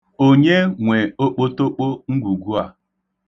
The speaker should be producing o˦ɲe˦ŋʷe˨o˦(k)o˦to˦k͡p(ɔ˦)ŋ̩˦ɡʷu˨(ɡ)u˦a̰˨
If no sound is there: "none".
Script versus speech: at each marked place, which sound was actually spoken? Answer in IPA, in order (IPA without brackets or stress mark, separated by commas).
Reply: k͡p, o˦, ɡ